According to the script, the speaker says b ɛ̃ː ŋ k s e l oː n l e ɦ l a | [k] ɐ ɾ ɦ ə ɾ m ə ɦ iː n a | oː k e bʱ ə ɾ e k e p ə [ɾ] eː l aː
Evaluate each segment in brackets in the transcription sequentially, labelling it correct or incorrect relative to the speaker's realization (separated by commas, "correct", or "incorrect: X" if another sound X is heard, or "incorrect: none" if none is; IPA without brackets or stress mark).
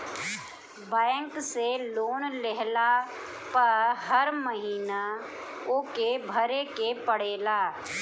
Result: incorrect: p, incorrect: ɽ